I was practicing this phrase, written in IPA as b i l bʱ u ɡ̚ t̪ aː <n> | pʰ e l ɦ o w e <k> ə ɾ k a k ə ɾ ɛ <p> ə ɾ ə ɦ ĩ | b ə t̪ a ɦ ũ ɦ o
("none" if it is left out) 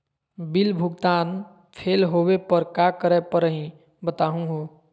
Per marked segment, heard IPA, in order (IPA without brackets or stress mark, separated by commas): n, p, p